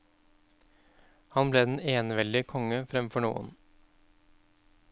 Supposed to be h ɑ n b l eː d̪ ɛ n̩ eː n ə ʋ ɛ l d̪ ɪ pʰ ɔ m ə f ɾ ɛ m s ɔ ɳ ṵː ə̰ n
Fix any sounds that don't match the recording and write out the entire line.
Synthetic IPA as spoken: h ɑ n b l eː d̪ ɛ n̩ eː n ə ʋ ɛ l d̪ ɪ kʰ ɔ ŋ ə f ɾ ɛ m f ɔ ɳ ṵː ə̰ n

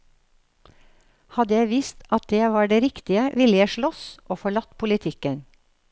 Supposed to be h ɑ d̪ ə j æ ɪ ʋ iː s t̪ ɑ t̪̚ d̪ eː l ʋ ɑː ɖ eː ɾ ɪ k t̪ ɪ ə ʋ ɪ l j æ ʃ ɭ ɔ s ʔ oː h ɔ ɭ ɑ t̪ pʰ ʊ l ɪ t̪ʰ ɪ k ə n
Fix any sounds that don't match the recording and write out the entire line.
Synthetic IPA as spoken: h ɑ d̪ ə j æ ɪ ʋ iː s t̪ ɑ t̪̚ d̪ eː ʋ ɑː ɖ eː ɾ ɪ k t̪ ɪ ə ʋ ɪ l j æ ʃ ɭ ɔ s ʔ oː f ɔ ɭ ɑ t̪ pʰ ʊ l ɪ t̪ʰ ɪ k ə n

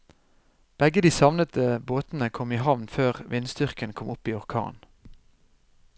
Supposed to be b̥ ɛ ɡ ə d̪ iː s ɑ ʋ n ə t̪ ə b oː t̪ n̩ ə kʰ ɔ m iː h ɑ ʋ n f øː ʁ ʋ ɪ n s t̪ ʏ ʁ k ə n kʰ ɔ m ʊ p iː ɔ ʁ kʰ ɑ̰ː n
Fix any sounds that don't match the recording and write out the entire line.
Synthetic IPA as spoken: b̥ ɛ ɡ ə d̪ iː s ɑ ʋ n ə t̪ ə b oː t̪ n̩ ə kʰ ɔ m iː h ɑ ʋ n f øː ʁ ʋ ɪ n s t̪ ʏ ʁ k ə n kʰ ɔ m ʊ p iː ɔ ʁ kʰ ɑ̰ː n

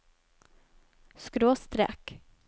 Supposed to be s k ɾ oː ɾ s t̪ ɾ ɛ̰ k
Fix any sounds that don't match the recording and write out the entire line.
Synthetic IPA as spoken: s k ɾ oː s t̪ ɾ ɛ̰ k

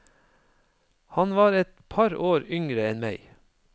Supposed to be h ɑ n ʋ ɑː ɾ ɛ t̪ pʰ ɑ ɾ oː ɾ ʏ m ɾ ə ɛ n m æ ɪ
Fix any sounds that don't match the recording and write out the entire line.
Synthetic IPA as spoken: h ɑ n ʋ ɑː ɾ ɛ t̪ pʰ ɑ ɾ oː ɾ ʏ ŋ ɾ ə ɛ n m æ ɪ

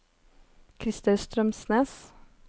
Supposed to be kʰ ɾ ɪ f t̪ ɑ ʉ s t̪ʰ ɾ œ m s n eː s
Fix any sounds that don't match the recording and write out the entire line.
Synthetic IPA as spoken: kʰ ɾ ɪ s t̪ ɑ ʉ s t̪ ɾ œ m s n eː s

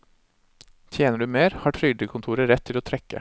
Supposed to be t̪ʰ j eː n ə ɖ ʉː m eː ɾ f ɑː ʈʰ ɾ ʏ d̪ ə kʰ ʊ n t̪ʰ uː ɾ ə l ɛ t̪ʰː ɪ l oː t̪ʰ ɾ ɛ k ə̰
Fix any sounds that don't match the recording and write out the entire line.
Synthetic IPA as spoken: t̪ʰ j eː n ə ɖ ʉː m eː ɾ h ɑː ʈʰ ɾ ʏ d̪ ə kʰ ʊ n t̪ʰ uː ɾ ə ɾ ɛ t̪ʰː ɪ l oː t̪ʰ ɾ ɛ k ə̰

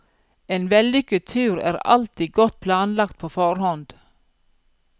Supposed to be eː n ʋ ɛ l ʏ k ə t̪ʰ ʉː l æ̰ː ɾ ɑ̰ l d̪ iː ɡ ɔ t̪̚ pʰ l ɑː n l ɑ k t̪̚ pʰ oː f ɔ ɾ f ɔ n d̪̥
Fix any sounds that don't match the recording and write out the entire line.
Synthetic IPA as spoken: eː n ʋ ɛ l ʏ k ə t̪ʰ ʉː ɾ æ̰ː ɾ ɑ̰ l t̪ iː ɡ ɔ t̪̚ pʰ l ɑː n l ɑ k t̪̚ pʰ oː f ɔ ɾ h ɔ n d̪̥

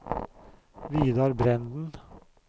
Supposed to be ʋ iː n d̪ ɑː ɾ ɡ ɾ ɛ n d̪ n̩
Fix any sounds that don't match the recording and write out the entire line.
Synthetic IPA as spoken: ʋ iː d̪ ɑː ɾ b ɾ ɛ n d̪ n̩

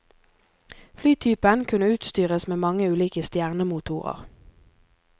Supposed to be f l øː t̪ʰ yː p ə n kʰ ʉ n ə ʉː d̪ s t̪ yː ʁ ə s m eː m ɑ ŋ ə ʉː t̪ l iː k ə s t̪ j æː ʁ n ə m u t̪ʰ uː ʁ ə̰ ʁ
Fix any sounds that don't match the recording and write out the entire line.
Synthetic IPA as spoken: f l yː t̪ʰ yː p ə n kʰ ʉ n ə ʉː t̪ s t̪ yː ʁ ə s m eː m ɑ ŋ ə ʉː l iː k ə s t̪ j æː ʁ n ə m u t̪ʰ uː ʁ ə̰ ʁ

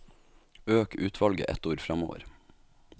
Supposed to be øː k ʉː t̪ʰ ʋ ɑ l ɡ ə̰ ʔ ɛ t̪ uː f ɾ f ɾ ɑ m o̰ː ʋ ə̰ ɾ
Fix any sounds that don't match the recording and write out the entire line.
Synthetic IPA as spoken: øː k ʉː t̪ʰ ʋ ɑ l ɡ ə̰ ʔ ɛ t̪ uː ɾ f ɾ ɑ m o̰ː ʋ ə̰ ɾ

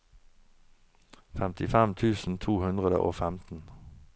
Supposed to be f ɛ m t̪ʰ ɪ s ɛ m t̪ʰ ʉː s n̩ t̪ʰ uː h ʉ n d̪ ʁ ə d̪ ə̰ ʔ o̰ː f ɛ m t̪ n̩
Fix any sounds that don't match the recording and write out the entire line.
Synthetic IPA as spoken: f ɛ m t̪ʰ ɪ f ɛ m t̪ʰ ʉː s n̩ t̪ʰ uː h ʉ n d̪ ʁ ə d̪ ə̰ ʔ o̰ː f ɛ m t̪ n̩

